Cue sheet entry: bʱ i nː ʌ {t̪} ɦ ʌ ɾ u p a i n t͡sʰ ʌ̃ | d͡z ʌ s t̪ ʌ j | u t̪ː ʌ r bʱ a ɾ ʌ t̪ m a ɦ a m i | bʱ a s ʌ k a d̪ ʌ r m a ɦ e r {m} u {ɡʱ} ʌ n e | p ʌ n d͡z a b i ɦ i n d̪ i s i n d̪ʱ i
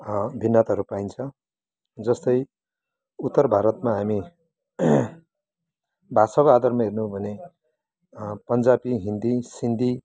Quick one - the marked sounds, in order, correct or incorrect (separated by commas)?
correct, incorrect, incorrect